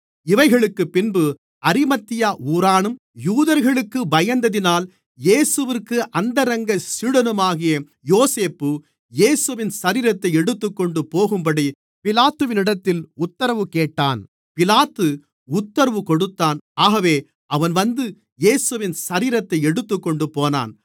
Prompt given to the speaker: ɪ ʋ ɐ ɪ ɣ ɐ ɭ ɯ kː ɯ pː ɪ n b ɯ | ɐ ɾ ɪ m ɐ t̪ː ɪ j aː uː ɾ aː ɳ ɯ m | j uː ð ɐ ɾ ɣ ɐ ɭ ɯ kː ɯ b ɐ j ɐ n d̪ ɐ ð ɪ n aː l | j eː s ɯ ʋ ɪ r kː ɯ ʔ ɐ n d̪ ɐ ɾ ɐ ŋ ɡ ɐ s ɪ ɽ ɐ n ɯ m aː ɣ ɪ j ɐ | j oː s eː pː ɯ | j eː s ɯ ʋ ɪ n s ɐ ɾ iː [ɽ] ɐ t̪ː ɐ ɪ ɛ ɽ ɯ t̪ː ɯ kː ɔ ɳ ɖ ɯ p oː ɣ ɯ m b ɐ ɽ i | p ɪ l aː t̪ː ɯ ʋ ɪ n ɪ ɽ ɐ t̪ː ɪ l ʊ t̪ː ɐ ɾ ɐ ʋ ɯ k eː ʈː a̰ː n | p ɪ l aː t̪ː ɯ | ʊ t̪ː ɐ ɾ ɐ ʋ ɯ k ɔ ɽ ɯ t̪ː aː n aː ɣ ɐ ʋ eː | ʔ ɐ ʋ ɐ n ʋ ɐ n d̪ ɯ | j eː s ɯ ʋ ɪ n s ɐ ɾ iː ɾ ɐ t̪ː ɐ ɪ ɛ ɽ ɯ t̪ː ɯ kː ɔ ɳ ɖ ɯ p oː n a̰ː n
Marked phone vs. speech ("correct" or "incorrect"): incorrect